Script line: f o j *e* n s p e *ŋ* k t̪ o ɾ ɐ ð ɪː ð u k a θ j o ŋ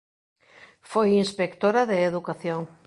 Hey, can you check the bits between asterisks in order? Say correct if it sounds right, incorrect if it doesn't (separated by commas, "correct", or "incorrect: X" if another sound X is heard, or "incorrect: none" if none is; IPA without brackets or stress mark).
incorrect: i, incorrect: none